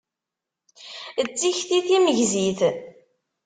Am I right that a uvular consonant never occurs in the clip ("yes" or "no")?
yes